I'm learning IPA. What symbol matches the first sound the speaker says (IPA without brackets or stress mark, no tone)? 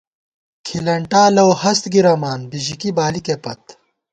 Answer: kʰ